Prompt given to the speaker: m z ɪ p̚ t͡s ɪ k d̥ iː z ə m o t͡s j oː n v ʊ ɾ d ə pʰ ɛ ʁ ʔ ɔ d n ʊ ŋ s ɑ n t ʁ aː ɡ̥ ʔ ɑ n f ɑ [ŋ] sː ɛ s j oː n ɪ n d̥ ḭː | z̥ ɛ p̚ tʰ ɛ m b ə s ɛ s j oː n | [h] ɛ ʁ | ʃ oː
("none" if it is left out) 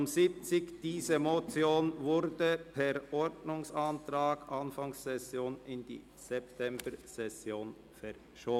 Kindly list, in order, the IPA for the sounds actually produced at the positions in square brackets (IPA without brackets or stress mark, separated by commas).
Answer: ŋ, f